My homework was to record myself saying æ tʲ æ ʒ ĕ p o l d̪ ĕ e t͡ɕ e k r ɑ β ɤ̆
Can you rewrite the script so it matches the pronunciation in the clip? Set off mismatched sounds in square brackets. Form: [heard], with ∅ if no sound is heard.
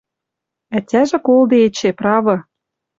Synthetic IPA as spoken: æ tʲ æ ʒ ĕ [k] o l d̪ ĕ e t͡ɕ e [p] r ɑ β ɤ̆